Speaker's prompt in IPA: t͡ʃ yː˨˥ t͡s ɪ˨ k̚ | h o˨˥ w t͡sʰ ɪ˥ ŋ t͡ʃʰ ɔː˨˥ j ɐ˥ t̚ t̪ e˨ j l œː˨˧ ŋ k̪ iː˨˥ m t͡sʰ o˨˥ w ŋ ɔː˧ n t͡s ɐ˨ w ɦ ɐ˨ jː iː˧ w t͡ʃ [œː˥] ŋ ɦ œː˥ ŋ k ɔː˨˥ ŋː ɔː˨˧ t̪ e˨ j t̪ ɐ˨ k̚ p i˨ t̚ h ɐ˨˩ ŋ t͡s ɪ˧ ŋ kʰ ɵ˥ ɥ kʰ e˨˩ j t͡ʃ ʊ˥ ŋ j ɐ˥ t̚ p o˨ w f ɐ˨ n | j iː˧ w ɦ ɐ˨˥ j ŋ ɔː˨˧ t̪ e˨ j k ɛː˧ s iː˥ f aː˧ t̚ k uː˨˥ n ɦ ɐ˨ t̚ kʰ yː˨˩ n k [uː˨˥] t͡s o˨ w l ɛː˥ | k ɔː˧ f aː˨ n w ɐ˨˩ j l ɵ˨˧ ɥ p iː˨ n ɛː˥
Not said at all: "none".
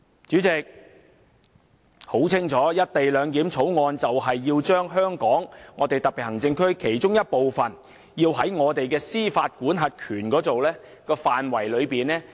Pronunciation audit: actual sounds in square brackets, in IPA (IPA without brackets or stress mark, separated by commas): œː˥, ɔː˨˥